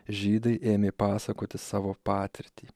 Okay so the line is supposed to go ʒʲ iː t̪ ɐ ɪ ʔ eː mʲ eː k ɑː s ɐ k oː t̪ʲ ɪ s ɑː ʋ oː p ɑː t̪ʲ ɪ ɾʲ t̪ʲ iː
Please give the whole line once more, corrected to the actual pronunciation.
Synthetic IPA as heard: ʒʲ iː d̪ ɐ ɪ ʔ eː mʲ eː p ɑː s ɐ k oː t̪ʲ ɪ s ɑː ʋ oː p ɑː t̪ʲ ɪ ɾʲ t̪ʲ iː